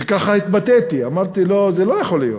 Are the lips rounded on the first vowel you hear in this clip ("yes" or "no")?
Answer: no